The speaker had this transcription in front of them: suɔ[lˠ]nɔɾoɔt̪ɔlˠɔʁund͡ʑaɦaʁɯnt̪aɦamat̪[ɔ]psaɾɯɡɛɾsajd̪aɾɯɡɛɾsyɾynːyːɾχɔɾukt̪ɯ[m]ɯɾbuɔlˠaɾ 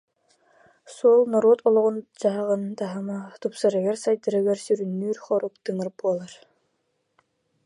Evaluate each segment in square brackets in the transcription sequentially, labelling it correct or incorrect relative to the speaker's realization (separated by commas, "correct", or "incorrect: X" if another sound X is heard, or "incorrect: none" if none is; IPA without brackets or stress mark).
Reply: correct, incorrect: u, incorrect: ŋ